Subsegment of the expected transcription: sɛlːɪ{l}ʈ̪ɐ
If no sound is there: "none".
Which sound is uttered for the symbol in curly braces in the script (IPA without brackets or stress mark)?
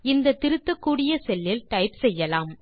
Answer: l